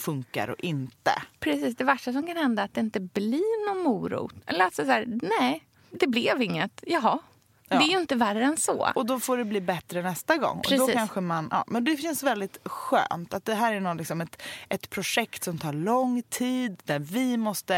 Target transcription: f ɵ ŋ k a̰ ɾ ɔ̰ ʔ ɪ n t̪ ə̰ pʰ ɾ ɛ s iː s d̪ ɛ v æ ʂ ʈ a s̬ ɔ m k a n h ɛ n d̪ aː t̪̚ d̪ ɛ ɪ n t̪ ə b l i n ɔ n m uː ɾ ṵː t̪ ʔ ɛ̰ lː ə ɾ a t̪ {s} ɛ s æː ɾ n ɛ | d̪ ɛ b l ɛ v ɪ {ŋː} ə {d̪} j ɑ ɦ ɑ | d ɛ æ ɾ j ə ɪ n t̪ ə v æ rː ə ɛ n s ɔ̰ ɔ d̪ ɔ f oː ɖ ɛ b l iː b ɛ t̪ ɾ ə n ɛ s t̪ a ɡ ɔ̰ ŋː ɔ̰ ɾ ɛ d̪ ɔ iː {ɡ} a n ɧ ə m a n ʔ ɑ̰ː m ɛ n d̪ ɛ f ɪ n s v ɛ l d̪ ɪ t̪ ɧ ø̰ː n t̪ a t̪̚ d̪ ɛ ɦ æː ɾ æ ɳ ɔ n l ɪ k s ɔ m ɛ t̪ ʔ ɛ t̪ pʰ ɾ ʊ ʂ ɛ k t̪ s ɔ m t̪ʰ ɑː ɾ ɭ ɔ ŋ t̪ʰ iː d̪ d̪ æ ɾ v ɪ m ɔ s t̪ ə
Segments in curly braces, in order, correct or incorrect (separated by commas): correct, correct, incorrect, incorrect